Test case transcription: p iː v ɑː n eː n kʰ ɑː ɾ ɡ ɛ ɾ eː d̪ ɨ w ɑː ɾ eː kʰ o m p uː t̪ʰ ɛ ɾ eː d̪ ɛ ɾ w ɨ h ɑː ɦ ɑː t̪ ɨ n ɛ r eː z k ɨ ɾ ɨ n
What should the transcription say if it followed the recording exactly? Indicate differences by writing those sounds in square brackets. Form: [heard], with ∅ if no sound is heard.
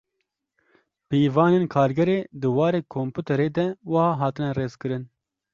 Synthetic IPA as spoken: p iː v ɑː n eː n kʰ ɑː ɾ ɡ ɛ ɾ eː d̪ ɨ w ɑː ɾ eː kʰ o m p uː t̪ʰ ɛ ɾ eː d̪ ɛ [∅] w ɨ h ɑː ɦ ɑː t̪ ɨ n ɛ r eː z k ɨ ɾ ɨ n

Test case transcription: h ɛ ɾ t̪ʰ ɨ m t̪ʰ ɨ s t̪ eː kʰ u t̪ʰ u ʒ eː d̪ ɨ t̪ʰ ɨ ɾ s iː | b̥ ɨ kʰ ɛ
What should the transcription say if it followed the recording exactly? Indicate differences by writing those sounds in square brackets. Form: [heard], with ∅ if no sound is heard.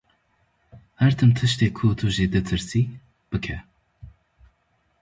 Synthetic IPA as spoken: h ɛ ɾ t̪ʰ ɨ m t̪ʰ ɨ [ʃ] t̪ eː kʰ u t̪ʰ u ʒ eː d̪ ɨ t̪ʰ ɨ ɾ s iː | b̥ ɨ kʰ ɛ

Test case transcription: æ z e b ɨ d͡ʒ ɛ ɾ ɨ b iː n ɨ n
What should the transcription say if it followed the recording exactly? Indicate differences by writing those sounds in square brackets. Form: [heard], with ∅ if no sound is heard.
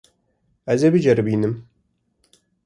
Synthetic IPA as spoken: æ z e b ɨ d͡ʒ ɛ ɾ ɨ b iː n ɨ [m]

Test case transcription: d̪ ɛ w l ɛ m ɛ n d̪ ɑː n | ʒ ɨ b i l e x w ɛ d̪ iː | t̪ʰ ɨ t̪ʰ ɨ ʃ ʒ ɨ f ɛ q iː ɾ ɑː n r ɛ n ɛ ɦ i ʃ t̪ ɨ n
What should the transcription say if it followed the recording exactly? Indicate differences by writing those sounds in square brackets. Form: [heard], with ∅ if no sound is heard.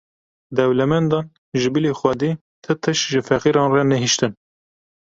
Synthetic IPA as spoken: d̪ ɛ w l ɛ m ɛ n d̪ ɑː n | ʒ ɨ b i l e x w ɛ d̪ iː | t̪ʰ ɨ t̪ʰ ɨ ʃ ʒ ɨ f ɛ q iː ɾ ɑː n r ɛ n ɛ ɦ i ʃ t̪ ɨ n

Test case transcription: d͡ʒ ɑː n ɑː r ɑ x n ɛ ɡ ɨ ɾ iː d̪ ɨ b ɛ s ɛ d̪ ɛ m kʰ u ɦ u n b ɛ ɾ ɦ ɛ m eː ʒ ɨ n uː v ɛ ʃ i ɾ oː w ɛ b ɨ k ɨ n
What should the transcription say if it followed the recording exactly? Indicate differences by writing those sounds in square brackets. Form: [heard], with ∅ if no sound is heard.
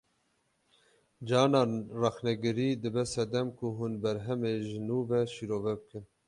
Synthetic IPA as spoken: d͡ʒ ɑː n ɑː r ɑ x n ɛ ɡ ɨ ɾ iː d̪ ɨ b ɛ s ɛ d̪ ɛ m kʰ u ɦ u n b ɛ ɾ ɦ ɛ m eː ʒ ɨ n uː v ɛ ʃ i ɾ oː [v] ɛ b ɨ k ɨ n

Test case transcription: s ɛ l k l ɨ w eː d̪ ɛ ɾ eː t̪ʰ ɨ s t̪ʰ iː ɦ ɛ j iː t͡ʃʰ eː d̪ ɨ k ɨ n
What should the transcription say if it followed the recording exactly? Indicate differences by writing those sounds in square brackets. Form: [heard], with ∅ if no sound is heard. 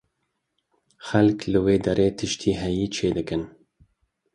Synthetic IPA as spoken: [x] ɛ l k l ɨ w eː d̪ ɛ ɾ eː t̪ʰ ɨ [ʃ] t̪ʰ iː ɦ ɛ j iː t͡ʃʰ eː d̪ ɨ k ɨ n

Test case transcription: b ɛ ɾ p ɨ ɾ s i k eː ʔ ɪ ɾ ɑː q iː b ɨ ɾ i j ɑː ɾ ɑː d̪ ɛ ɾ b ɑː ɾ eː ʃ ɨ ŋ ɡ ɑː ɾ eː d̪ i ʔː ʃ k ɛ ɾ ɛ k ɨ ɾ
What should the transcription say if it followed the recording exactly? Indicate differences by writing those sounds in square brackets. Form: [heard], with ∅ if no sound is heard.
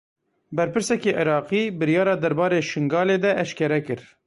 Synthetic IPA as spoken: b ɛ ɾ p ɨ ɾ s [ɛ] k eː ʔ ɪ ɾ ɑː q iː b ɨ ɾ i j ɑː ɾ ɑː d̪ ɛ ɾ b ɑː ɾ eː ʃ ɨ ŋ ɡ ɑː [l] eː d̪ [ɛ] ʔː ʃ k ɛ ɾ ɛ k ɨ ɾ

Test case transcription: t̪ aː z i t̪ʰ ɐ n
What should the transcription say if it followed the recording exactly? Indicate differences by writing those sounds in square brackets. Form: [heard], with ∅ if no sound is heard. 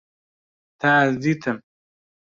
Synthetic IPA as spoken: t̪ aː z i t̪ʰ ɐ [m]

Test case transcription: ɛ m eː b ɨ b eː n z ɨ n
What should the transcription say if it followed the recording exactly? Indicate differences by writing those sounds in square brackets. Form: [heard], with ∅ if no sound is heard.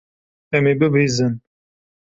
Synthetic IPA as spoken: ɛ m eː b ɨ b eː [∅] z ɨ n

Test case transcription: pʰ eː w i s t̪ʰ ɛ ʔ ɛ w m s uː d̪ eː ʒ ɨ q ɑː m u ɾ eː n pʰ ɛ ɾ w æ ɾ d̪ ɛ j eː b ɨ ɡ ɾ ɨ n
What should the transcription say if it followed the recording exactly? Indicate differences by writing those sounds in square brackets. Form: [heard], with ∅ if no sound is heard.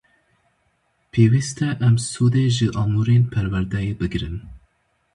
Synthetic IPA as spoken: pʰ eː w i s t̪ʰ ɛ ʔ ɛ [∅] m s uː d̪ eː ʒ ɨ [ʔ] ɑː m u ɾ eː n pʰ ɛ ɾ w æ ɾ d̪ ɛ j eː b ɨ ɡ ɾ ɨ n

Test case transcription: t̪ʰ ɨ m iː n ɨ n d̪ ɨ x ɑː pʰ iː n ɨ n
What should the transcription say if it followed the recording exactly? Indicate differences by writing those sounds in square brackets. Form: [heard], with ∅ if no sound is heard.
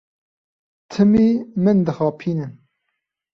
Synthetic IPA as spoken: t̪ʰ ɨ m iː [m] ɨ n d̪ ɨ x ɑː pʰ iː n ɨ n

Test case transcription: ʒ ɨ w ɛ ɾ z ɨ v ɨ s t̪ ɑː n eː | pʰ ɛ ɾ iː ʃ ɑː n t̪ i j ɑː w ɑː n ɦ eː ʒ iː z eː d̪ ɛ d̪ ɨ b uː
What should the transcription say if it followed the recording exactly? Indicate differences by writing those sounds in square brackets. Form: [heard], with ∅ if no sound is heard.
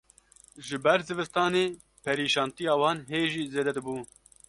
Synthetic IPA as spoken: ʒ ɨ [b] ɛ ɾ z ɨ v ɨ s t̪ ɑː n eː | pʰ ɛ ɾ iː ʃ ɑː n t̪ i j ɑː w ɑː n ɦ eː ʒ iː z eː d̪ ɛ d̪ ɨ b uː

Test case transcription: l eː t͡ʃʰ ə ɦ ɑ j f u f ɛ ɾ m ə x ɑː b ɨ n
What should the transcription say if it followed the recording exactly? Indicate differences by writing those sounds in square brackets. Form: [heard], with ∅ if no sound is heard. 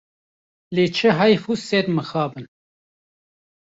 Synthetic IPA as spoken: l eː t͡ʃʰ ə ɦ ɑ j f u [s] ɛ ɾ m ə x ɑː b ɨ n

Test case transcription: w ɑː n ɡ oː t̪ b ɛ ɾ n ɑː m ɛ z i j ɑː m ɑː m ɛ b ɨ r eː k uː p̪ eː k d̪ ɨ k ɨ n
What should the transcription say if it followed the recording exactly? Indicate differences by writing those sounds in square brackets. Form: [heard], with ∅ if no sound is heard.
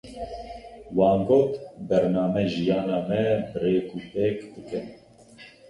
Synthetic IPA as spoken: w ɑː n ɡ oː t̪ b ɛ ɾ n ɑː m ɛ [ʒ] i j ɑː [n] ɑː m ɛ b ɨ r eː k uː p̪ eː k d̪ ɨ k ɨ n

